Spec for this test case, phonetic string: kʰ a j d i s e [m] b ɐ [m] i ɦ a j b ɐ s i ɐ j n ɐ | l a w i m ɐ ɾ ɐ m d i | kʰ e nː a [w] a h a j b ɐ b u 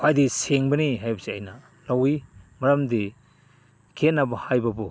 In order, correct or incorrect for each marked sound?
incorrect: ŋ, incorrect: n, incorrect: b

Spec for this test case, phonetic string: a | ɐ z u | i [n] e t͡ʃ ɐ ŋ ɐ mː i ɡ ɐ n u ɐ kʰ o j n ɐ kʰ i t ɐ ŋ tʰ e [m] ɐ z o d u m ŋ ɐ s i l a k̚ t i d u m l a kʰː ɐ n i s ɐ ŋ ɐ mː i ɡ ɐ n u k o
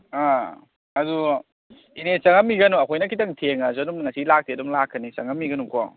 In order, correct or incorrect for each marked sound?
correct, incorrect: ŋ

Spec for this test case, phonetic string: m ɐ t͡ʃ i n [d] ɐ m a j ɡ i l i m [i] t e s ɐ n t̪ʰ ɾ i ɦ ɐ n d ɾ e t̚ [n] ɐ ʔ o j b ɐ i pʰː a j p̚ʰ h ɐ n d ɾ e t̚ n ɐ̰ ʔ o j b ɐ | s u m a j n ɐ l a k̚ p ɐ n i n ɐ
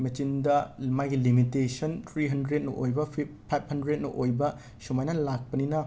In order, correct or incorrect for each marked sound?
correct, correct, correct

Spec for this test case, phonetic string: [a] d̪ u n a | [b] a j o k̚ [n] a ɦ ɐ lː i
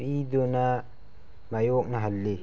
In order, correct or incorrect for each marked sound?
incorrect: i, incorrect: m, correct

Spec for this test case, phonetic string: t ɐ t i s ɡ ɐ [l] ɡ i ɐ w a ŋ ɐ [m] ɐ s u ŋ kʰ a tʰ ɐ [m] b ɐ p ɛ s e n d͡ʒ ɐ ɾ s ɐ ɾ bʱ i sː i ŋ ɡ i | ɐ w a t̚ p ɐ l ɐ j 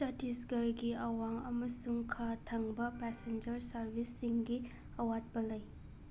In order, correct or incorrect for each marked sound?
incorrect: ɾ, correct, incorrect: ŋ

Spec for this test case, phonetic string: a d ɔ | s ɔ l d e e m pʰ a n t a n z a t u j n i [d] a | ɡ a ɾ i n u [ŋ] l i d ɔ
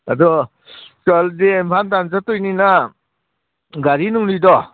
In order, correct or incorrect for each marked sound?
incorrect: n, correct

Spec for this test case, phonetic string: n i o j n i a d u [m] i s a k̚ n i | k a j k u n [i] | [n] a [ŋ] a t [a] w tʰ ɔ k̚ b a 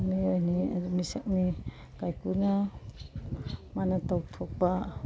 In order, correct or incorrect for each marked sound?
correct, incorrect: a, incorrect: m, incorrect: n, correct

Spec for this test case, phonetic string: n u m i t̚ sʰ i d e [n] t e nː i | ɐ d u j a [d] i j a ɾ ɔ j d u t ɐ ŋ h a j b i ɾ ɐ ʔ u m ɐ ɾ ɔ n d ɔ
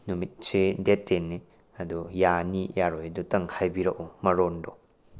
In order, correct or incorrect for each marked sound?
incorrect: none, incorrect: n

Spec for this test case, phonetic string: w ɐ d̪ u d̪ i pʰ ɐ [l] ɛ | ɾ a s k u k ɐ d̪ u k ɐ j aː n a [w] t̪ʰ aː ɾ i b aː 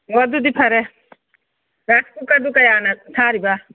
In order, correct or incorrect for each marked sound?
incorrect: ɾ, incorrect: none

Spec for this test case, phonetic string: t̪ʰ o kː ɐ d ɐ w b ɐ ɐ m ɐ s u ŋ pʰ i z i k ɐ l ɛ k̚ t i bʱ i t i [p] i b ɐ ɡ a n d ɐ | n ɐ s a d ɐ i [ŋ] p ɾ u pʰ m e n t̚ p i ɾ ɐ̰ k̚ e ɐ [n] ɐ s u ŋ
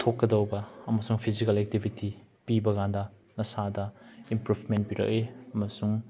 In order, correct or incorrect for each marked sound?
correct, incorrect: m, incorrect: m

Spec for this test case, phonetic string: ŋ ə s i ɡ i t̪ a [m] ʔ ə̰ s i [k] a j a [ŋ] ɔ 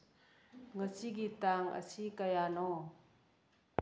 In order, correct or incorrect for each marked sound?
incorrect: ŋ, correct, incorrect: n

